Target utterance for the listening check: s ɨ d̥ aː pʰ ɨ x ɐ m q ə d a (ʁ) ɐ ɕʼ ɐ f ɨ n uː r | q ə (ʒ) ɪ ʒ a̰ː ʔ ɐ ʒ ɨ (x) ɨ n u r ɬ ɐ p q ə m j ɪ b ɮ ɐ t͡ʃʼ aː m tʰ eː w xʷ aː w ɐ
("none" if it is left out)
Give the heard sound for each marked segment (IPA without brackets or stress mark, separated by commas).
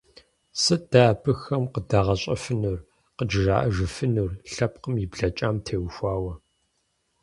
ʁ, d͡ʒ, f